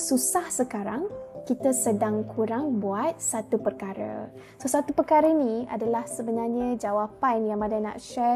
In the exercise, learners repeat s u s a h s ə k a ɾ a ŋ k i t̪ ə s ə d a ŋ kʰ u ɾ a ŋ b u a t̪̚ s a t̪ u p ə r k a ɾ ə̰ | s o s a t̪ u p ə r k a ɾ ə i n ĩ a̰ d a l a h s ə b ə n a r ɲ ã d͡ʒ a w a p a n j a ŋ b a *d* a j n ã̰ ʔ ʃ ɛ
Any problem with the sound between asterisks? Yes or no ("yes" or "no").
no